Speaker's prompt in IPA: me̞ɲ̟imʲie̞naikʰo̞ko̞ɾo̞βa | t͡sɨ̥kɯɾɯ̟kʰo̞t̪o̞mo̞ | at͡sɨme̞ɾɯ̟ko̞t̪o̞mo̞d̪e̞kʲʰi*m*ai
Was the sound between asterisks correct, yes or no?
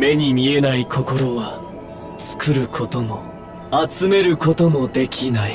no